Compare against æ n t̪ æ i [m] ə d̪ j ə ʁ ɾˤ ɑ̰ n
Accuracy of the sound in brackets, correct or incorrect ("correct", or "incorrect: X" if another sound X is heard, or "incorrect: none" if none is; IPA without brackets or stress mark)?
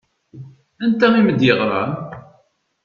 correct